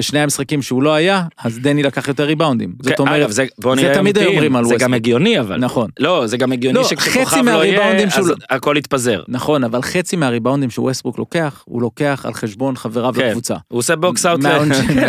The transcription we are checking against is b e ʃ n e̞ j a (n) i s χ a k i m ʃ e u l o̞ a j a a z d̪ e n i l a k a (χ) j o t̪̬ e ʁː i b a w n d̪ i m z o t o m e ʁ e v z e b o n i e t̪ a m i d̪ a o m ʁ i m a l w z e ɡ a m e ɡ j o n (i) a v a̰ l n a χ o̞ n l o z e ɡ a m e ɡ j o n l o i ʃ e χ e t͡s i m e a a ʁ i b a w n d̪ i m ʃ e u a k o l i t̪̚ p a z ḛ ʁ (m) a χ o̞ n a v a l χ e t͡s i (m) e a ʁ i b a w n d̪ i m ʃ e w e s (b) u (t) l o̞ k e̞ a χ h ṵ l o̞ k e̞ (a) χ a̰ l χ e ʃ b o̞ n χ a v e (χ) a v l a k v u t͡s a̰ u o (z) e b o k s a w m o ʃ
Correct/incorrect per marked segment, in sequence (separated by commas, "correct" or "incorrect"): incorrect, correct, correct, incorrect, correct, correct, incorrect, correct, incorrect, incorrect